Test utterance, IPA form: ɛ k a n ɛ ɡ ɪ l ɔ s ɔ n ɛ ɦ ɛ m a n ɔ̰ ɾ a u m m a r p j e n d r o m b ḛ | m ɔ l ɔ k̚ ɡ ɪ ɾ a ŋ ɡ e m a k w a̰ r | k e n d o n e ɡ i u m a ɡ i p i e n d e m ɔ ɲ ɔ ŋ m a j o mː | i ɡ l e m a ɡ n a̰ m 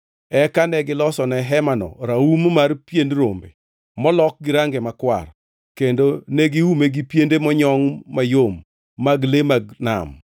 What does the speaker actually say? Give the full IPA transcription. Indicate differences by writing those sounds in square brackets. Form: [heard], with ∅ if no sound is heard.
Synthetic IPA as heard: ɛ k a n ɛ ɡ ɪ l ɔ s ɔ n ɛ ɦ ɛ m a n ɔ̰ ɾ a u m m a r p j e n d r o m b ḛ | m ɔ l ɔ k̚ ɡ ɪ ɾ a ŋ ɡ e m a k w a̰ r | k e n d o n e ɡ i u m [e] ɡ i p [j] e n d e m ɔ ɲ ɔ ŋ m a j o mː | [a] ɡ l e m a ɡ n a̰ m